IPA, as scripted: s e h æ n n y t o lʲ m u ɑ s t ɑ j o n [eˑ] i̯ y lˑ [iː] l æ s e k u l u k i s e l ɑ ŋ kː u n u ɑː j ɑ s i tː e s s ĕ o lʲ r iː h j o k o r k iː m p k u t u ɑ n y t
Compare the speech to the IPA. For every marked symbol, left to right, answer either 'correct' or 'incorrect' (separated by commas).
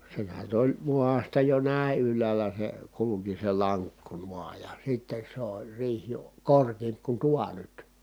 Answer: incorrect, incorrect